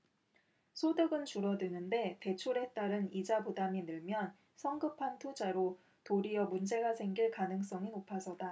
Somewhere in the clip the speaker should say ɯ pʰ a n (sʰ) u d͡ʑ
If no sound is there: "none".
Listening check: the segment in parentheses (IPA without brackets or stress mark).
tʰ